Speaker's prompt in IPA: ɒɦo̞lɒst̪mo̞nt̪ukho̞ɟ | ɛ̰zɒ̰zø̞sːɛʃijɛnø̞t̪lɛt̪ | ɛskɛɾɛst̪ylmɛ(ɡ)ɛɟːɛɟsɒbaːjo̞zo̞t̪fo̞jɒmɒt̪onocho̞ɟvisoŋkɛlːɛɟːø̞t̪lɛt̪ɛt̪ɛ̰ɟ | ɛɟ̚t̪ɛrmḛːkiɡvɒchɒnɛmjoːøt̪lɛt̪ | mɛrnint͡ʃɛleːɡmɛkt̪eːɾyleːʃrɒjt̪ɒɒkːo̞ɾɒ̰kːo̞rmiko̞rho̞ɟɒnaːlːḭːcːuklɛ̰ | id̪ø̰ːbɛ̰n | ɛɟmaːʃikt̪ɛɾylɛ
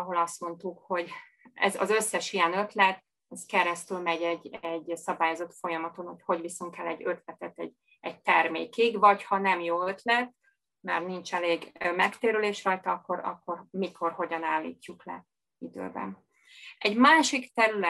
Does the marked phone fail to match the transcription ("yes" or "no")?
yes